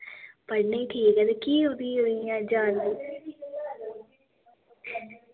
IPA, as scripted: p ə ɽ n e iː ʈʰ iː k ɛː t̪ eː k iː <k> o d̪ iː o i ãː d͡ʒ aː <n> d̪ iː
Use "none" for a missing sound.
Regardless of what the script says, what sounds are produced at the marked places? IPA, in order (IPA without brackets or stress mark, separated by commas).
none, n